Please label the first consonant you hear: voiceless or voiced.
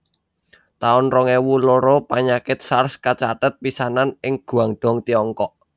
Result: voiceless